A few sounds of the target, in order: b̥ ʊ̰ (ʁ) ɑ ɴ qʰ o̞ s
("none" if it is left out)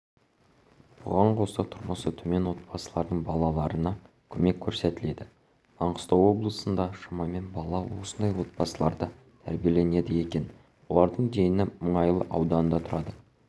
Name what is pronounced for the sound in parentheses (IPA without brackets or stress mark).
ʁ